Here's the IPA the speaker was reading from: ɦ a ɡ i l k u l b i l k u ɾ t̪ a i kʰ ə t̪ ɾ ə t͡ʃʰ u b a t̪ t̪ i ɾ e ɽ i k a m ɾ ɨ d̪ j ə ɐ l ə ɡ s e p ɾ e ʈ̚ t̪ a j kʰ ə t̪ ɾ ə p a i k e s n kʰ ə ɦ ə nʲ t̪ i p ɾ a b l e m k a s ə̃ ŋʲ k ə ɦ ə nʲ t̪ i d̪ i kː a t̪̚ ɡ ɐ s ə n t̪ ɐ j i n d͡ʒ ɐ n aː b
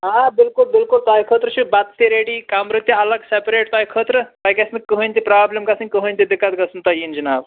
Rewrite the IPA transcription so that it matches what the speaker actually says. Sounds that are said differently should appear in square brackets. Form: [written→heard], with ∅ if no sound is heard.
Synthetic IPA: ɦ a [ɡ→b] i l k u l b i l k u [ɾ→l] t̪ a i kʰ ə t̪ ɾ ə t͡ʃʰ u b a t̪ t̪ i ɾ e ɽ i k a m ɾ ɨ [d̪→t̪] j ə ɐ l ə ɡ s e p ɾ e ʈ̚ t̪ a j kʰ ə t̪ ɾ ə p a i k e s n [kʰ→k] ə ɦ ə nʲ t̪ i p ɾ a b l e m k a s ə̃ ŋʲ k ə ɦ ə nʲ t̪ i d̪ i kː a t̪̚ ɡ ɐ s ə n t̪ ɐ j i n d͡ʒ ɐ n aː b